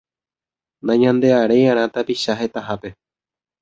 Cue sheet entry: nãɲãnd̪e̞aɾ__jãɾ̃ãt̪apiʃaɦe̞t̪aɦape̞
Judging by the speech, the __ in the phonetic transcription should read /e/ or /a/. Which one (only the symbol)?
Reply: e